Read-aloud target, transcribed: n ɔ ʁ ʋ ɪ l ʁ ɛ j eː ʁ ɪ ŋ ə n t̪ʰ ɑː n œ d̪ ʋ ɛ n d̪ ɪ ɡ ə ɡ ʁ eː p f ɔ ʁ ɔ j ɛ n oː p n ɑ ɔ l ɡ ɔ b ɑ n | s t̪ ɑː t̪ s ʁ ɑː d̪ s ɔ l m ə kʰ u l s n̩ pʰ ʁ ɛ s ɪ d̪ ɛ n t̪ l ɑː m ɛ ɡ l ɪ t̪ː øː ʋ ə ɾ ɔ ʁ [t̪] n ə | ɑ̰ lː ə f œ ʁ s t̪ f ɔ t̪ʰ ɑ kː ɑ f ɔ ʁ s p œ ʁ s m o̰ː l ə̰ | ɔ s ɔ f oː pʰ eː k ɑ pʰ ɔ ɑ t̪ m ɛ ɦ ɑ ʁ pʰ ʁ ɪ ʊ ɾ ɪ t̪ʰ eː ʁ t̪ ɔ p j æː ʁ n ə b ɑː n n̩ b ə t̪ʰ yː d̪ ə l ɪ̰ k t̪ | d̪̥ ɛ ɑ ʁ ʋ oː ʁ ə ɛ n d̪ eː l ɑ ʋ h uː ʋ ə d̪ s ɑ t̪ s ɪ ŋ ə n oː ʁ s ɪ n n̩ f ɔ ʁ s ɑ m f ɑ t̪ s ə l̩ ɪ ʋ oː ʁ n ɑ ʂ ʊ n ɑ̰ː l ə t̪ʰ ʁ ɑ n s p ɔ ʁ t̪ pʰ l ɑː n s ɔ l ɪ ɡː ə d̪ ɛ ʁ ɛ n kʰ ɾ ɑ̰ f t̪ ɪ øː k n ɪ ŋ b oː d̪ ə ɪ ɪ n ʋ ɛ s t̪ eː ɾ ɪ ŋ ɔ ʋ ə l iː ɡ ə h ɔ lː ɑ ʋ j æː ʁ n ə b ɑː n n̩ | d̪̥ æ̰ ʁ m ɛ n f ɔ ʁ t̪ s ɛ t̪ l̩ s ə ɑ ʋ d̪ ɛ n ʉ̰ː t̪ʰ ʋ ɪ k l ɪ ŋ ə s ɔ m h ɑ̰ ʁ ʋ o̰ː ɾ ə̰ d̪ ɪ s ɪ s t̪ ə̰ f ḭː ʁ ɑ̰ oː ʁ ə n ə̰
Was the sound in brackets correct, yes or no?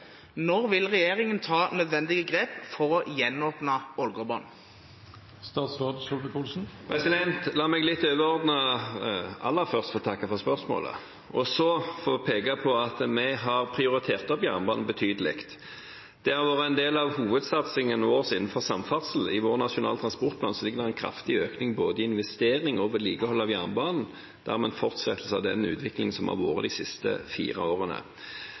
no